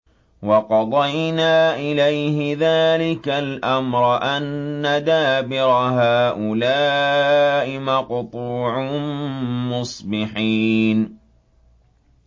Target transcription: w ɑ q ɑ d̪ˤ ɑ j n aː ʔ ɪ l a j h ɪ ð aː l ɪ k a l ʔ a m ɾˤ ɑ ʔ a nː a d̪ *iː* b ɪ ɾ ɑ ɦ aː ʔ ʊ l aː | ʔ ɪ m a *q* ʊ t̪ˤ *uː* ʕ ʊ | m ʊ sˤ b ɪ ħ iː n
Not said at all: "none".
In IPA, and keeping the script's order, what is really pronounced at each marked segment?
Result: aː, q, uː

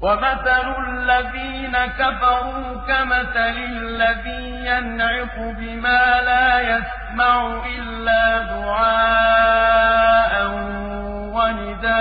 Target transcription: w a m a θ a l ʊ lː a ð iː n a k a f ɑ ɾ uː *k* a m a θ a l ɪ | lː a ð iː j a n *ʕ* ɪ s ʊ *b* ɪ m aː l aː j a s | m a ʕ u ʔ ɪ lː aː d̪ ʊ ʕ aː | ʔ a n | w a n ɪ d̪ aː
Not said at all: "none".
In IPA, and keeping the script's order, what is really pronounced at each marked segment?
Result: k, ʕ, b

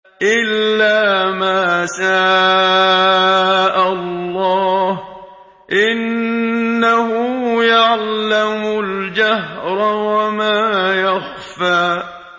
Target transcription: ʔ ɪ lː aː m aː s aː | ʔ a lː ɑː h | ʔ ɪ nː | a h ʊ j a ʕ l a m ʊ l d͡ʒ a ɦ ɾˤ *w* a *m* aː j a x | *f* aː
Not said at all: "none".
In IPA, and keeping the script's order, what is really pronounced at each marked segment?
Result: w, m, f

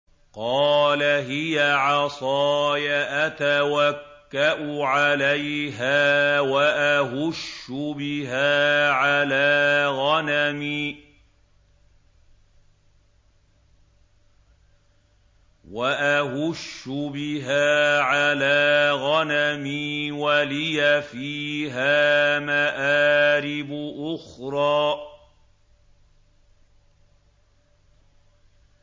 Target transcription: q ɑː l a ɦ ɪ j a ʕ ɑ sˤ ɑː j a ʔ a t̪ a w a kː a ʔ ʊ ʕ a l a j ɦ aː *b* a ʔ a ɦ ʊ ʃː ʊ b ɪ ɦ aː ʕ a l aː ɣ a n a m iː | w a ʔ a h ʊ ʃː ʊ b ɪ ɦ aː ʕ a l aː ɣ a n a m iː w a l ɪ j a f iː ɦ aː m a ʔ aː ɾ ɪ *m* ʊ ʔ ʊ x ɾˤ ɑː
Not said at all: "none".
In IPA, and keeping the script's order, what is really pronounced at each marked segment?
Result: w, b

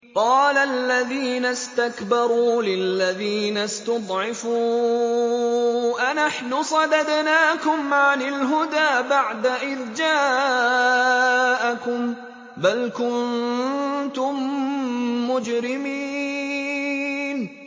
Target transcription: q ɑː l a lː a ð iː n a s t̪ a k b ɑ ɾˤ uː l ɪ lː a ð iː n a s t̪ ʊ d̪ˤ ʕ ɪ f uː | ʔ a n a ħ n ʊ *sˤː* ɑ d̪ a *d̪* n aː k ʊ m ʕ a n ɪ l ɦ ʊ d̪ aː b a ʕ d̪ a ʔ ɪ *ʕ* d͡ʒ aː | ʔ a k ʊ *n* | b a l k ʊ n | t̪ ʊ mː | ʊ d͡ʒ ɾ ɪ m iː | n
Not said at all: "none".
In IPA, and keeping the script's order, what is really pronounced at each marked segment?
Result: sˤ, d̪, ð, m

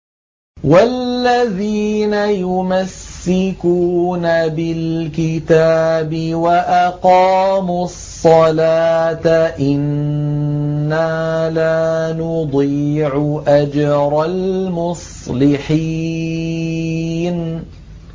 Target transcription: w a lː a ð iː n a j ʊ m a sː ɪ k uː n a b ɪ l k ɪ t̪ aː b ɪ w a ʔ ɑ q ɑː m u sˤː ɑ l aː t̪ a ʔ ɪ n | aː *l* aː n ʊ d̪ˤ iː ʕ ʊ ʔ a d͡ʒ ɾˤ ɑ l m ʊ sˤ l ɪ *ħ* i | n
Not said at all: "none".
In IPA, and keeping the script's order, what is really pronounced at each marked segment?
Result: l, ħ

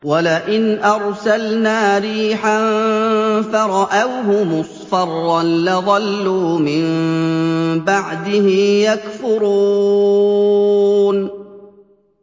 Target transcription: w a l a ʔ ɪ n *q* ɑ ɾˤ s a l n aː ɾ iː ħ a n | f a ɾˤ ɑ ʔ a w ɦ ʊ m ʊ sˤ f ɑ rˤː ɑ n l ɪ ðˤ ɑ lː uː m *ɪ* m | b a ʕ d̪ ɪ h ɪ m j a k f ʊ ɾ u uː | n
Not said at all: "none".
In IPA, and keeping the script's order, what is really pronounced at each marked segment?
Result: ʔ, ɪ

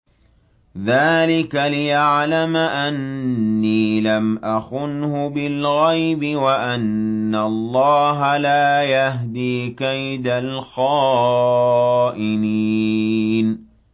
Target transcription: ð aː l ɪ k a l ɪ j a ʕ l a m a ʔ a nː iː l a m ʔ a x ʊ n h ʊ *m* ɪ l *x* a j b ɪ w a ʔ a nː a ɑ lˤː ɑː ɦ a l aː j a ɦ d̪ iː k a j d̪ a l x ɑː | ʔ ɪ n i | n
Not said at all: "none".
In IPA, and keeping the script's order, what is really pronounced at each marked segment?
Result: b, ɣ

